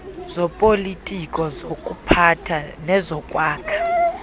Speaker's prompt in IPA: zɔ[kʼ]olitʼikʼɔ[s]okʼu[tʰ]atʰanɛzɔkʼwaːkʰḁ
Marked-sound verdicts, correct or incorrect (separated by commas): incorrect, incorrect, incorrect